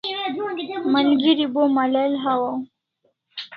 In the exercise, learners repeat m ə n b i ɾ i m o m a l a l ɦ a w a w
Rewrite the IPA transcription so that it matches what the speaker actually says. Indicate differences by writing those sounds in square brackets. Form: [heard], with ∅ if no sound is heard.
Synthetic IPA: m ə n [ɡ] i ɾ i [b] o m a l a l ɦ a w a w